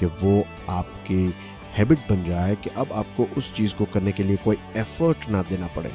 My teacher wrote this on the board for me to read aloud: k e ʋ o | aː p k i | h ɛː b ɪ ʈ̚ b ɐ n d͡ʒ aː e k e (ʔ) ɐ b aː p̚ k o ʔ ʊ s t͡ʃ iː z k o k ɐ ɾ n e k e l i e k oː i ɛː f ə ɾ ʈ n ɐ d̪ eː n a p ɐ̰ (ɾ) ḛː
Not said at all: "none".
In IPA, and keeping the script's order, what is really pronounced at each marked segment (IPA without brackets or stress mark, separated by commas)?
ʔ, ɽ